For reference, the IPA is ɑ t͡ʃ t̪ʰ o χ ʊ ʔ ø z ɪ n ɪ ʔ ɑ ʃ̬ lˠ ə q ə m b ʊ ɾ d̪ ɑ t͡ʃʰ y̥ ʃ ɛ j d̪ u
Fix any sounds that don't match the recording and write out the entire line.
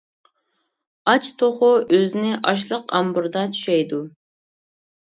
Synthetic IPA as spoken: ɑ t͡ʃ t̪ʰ o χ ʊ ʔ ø z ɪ n ɪ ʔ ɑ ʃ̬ lˠ ə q ɑ m b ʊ ɾ d̪ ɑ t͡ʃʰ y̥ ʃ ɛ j d̪ u